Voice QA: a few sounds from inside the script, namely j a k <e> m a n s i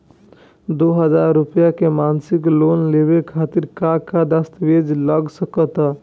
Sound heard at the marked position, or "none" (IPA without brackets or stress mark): e